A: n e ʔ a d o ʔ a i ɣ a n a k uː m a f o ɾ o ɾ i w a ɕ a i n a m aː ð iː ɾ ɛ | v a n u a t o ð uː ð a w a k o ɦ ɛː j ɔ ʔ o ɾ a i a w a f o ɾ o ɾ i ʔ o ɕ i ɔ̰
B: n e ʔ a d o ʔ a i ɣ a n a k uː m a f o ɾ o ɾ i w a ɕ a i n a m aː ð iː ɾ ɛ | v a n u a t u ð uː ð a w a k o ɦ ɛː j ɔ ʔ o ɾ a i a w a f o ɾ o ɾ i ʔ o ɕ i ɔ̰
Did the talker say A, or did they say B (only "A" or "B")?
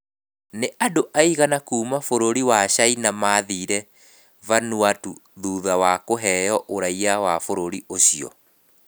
B